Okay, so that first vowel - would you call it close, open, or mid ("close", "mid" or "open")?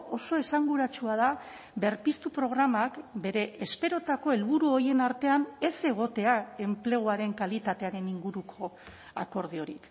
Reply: mid